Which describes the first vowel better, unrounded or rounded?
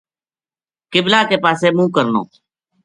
unrounded